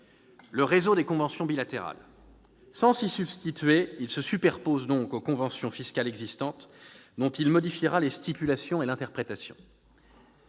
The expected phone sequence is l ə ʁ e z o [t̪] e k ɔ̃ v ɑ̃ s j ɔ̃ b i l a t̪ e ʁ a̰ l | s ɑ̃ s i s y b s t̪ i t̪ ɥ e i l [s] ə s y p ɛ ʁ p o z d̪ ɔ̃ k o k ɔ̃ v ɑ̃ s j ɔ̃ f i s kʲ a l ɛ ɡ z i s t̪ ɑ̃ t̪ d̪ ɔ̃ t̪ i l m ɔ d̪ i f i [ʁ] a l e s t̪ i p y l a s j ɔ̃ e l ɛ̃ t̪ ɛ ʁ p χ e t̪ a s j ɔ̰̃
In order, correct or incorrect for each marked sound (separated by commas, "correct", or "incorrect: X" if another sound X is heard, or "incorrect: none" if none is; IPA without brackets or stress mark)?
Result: incorrect: d̪, correct, correct